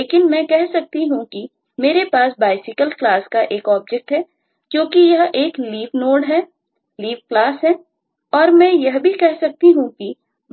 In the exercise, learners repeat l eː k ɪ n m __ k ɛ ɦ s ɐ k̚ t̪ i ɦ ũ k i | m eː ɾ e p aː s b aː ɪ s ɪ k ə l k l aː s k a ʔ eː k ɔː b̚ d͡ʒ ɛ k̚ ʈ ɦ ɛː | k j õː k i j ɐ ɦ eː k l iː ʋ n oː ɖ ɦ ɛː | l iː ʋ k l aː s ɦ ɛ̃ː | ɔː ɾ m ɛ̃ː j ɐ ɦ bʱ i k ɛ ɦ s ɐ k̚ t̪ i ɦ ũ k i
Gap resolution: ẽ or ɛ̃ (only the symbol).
ɛ̃